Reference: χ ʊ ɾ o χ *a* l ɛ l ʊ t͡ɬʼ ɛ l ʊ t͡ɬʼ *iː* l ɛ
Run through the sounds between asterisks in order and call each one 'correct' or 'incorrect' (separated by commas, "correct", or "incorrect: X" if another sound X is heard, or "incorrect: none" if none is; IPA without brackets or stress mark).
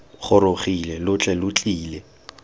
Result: incorrect: i, correct